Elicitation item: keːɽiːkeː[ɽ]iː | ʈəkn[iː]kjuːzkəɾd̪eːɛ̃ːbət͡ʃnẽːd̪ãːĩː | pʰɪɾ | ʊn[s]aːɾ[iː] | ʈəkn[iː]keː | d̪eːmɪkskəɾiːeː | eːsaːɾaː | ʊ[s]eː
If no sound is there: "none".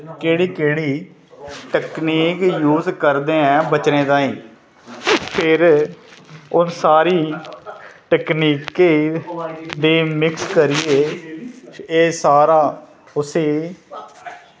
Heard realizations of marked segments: ɽ, iː, s, iː, iː, s

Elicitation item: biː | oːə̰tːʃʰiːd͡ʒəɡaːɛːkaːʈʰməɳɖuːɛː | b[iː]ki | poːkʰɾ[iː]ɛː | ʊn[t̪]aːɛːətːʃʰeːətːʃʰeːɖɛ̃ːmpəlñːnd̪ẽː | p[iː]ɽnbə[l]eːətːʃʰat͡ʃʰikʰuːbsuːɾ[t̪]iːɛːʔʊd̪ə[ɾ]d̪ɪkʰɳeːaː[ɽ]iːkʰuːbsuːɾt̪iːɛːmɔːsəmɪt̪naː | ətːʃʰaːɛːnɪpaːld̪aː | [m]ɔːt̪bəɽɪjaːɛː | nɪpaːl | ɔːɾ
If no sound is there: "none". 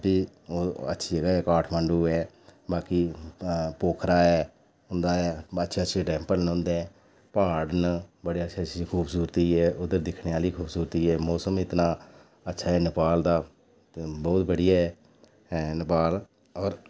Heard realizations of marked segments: aː, aː, d̪, aː, ɽ, t̪, ɾ, l, b

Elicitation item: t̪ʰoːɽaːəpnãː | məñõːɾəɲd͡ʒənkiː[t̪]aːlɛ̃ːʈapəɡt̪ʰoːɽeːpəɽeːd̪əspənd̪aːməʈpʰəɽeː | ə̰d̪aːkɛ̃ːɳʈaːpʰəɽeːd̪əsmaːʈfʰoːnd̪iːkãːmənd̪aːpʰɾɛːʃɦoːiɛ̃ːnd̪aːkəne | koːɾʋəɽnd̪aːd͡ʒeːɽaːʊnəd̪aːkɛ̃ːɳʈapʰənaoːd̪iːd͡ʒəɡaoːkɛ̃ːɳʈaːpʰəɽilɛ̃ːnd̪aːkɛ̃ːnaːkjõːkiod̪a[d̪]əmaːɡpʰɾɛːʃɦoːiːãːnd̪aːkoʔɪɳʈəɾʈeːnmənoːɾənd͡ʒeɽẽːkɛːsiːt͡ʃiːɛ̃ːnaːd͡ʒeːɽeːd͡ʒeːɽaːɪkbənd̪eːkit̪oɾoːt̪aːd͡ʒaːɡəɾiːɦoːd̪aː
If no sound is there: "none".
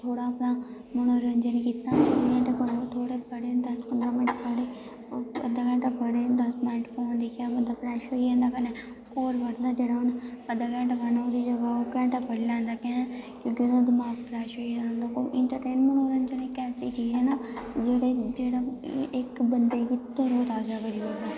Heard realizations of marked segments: t̪, d̪

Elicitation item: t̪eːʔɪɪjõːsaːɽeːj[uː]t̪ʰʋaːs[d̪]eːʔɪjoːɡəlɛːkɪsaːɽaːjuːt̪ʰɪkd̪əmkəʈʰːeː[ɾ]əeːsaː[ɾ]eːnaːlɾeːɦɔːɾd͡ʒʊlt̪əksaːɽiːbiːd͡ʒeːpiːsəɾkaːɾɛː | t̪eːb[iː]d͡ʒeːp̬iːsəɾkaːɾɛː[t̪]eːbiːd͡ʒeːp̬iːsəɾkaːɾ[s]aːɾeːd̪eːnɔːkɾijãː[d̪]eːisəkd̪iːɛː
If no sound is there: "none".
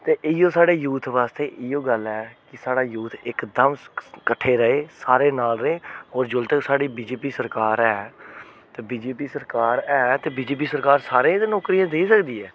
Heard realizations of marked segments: uː, t̪, ɾ, ɾ, iː, t̪, s, d̪

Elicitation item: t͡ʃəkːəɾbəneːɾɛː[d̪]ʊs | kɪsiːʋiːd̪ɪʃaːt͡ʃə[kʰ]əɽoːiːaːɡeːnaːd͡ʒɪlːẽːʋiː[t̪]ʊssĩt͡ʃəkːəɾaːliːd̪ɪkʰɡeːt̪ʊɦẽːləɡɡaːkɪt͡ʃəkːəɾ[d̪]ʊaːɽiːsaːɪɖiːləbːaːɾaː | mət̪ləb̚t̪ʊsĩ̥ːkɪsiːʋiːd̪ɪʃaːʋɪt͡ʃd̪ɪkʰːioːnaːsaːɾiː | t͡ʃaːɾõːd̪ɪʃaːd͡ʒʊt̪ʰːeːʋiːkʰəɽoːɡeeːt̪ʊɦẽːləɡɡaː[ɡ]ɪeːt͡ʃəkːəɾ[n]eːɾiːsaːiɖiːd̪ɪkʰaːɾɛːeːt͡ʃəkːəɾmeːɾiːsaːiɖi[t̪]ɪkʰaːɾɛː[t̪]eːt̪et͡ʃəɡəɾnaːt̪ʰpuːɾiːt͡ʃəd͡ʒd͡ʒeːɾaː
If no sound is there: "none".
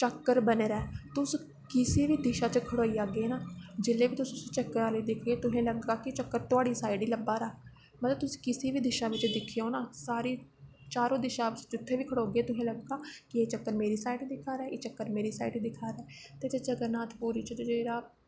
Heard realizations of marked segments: t̪, kʰ, t̪, t̪, k, m, d̪, t̪

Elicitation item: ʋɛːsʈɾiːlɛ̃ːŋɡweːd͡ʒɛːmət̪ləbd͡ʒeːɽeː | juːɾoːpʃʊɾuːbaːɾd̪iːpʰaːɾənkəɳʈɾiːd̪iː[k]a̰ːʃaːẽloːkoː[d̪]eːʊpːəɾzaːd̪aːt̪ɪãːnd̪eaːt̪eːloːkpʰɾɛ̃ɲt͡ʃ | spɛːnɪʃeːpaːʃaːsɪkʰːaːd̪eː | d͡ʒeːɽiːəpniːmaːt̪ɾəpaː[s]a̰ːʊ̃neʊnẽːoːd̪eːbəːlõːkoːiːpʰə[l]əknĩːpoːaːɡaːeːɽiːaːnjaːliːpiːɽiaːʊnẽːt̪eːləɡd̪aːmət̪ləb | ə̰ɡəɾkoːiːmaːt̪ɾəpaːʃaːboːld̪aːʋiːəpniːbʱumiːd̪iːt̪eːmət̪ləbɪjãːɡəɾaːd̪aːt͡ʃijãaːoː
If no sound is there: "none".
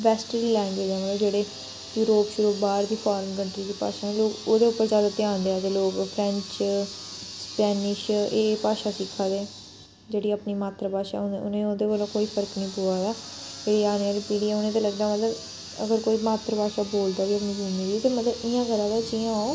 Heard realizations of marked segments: p, d̪, ʃ, ɾ

